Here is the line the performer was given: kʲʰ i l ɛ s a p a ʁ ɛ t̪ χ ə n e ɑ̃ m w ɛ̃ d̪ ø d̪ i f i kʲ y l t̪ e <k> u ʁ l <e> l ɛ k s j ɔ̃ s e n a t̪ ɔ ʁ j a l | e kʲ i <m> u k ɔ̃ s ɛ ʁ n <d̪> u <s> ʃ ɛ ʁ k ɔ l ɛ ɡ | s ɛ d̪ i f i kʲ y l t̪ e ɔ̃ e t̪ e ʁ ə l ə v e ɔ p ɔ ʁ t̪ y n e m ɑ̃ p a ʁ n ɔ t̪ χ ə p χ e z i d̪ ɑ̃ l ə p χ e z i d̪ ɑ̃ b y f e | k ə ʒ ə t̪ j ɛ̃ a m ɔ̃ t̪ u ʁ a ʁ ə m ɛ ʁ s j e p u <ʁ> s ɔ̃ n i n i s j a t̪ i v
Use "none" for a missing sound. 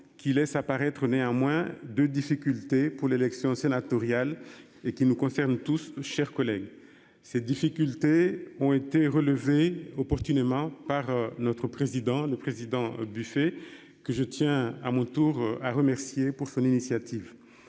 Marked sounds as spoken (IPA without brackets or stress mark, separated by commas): p, e, n, t̪, s, ʁ